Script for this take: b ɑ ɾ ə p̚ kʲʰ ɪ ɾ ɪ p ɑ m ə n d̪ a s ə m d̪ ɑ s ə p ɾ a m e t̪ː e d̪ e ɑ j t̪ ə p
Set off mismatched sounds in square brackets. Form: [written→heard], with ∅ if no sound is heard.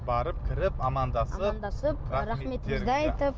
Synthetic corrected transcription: b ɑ ɾ ə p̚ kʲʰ ɪ ɾ ɪ p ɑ m [ə→ɑ] n d̪ [a→ɑ] s ə [m→n] d̪ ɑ s ə p ɾ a m e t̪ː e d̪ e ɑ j t̪ ə p

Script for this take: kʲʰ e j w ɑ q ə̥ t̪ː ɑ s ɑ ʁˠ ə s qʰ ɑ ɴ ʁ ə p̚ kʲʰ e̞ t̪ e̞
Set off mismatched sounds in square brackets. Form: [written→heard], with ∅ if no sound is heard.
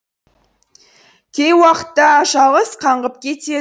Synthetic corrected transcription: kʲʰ e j w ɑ q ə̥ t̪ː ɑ [s→ʃ] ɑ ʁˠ ə s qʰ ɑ ɴ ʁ ə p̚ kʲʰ e̞ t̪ e̞

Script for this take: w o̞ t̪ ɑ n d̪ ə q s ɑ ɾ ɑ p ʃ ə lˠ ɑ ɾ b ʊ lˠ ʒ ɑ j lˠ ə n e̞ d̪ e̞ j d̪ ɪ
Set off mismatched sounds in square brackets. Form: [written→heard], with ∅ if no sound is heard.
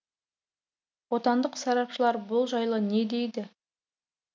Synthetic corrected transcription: w o̞ t̪ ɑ n d̪ ə q s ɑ ɾ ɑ p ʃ ə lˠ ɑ ɾ b ʊ lˠ ʒ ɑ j lˠ ə n e̞ d̪ e̞ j d̪ ɪ

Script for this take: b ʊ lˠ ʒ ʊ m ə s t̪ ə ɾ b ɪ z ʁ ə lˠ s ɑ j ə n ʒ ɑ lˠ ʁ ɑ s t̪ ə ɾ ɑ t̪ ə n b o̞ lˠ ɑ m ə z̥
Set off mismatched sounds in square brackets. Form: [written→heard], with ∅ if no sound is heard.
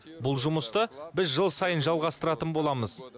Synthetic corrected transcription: b ʊ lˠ ʒ ʊ m ə s t̪ ə [ɾ→∅] b ɪ z [ʁ→ʒ] ə lˠ s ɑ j ə n ʒ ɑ lˠ ʁ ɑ s t̪ ə ɾ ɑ t̪ ə n b o̞ lˠ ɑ m ə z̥

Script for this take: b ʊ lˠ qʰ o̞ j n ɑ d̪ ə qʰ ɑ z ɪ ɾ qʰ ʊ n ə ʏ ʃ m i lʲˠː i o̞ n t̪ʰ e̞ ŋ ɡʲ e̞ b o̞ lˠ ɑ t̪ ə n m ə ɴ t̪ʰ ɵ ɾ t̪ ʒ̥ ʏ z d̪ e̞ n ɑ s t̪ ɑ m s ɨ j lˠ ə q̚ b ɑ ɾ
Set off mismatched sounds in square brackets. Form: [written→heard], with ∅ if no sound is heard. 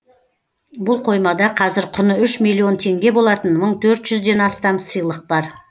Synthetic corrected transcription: b ʊ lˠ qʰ o̞ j [n→m] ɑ d̪ [ə→ɑ] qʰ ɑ z ɪ ɾ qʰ ʊ n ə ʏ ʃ m i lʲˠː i o̞ n t̪ʰ e̞ ŋ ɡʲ e̞ b o̞ lˠ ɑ t̪ ə n m ə ɴ t̪ʰ ɵ ɾ t̪ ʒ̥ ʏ z d̪ e̞ n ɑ s t̪ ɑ m s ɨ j lˠ ə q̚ b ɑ ɾ

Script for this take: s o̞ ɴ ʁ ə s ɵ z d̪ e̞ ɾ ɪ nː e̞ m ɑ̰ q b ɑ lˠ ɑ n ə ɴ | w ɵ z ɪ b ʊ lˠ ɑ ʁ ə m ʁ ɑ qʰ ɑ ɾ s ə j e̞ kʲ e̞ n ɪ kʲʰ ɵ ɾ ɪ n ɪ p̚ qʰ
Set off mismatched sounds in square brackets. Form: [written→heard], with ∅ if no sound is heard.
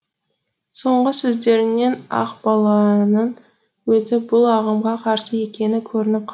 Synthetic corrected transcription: s o̞ ɴ ʁ ə s ɵ z d̪ e̞ ɾ ɪ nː e̞ [m→n] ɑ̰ q b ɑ lˠ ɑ n ə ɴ | w ɵ z ɪ b ʊ lˠ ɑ ʁ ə m ʁ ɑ qʰ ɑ ɾ s ə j e̞ kʲ e̞ n ɪ kʲʰ ɵ ɾ ɪ n ɪ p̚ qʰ

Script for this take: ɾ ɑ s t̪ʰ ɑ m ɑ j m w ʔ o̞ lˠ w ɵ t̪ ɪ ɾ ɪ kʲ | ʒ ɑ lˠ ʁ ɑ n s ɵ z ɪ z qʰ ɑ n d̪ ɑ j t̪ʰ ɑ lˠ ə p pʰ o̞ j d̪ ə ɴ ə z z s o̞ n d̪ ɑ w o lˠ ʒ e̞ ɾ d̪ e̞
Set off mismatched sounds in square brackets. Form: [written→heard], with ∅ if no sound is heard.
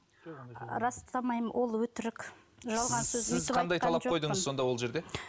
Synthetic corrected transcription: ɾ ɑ s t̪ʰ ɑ m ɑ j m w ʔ o̞ lˠ w ɵ t̪ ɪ ɾ ɪ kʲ | ʒ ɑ lˠ ʁ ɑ n s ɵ z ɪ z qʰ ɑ n d̪ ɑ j t̪ʰ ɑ lˠ [ə→ɑ] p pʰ o̞ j d̪ ə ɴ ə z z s o̞ n d̪ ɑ w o lˠ ʒ e̞ ɾ d̪ e̞

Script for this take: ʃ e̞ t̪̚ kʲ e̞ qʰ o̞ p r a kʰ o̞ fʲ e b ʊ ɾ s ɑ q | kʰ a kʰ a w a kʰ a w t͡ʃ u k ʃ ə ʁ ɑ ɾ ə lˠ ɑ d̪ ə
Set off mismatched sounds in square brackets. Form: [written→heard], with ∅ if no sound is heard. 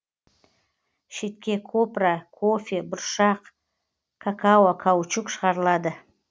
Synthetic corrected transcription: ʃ e̞ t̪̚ kʲ e̞ [qʰ→kʰ] o̞ p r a kʰ o̞ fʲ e b ʊ ɾ [s→ʃ] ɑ q | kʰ a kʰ a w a kʰ a w t͡ʃ u k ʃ ə ʁ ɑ ɾ ə lˠ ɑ d̪ ə

